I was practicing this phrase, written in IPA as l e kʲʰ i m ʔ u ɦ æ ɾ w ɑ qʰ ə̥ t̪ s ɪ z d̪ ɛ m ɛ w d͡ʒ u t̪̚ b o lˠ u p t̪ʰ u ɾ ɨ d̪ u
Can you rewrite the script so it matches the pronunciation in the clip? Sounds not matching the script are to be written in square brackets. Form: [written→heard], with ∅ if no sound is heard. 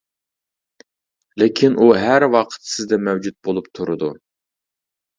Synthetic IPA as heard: l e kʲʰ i [m→n] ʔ u ɦ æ ɾ w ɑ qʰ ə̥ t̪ s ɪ z d̪ ɛ m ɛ w d͡ʒ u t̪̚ b o lˠ u p t̪ʰ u ɾ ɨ d̪ u

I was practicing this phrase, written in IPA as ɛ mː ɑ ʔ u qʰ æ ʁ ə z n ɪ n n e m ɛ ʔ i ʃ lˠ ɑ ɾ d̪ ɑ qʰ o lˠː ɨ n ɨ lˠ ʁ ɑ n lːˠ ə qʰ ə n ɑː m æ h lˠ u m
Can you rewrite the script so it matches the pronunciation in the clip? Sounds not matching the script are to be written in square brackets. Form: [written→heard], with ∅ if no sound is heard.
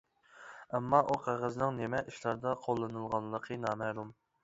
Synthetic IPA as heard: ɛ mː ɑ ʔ u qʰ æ ʁ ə z n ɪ [n→ŋ] n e m ɛ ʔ i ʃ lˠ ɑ ɾ d̪ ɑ qʰ o lˠː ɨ n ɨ lˠ ʁ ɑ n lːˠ ə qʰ ə n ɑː m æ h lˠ u m

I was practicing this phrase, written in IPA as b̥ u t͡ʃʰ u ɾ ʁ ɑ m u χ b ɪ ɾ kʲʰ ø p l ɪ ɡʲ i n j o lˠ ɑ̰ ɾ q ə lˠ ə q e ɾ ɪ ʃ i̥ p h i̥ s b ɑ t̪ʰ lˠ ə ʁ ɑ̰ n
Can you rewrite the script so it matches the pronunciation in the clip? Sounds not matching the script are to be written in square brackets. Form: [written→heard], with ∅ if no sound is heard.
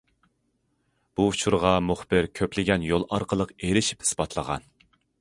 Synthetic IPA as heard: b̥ u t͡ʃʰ u ɾ ʁ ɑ m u χ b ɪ ɾ kʲʰ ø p l ɪ ɡʲ [i→ɛ] n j o lˠ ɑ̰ ɾ q ə lˠ ə q e ɾ ɪ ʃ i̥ p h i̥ s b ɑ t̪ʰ lˠ ə ʁ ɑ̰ n

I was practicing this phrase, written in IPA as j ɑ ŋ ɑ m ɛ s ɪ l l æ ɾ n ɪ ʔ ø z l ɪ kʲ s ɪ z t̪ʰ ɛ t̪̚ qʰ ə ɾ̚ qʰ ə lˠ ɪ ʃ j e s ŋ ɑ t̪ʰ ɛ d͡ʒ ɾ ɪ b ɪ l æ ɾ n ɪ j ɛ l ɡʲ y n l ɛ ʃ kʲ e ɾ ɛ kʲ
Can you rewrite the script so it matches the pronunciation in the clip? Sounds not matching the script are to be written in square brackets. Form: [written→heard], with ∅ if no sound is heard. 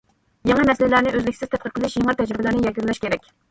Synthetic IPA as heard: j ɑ ŋ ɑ m ɛ s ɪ l l æ ɾ n ɪ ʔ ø z l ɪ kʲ s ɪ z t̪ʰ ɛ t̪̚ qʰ ə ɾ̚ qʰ ə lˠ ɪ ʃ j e [s→∅] ŋ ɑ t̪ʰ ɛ d͡ʒ ɾ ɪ b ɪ l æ ɾ n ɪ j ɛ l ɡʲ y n l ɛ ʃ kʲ e ɾ ɛ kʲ

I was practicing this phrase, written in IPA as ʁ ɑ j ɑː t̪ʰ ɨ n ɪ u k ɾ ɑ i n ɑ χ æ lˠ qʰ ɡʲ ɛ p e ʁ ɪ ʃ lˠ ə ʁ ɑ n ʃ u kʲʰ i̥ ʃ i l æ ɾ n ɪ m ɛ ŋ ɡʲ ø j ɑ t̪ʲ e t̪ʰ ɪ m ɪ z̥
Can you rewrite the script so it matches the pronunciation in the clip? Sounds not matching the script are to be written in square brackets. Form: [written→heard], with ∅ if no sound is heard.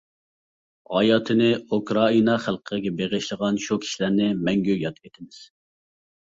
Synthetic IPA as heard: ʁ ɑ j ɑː t̪ʰ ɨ n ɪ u k ɾ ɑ i n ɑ χ æ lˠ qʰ ɡʲ ɛ [p→b] e ʁ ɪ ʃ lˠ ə ʁ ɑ n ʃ u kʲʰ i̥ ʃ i l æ ɾ n ɪ m ɛ ŋ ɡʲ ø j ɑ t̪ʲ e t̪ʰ ɪ m ɪ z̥

